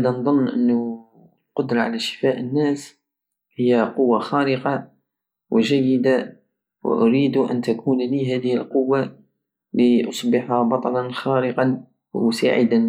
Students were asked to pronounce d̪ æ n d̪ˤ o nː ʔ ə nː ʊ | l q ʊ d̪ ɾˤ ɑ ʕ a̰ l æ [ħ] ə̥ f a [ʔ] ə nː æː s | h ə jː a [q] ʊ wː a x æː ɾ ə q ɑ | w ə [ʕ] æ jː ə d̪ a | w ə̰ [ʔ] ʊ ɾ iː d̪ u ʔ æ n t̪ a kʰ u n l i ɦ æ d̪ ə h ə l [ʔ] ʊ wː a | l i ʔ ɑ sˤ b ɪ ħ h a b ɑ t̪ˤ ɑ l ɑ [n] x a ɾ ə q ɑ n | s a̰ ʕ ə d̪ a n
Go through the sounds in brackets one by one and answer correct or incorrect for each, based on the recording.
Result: incorrect, correct, correct, incorrect, correct, incorrect, correct

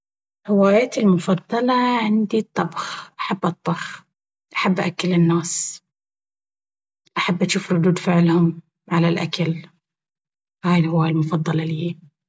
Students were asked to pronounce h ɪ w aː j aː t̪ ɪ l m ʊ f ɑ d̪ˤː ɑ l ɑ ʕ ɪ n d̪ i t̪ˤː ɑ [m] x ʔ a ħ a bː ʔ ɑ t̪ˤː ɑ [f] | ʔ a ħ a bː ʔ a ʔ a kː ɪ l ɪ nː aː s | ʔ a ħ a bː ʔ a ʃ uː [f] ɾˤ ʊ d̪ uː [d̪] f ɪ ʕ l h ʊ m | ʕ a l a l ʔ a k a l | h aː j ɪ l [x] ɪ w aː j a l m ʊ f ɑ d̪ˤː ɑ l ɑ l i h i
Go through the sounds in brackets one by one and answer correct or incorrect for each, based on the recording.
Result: incorrect, incorrect, correct, correct, incorrect

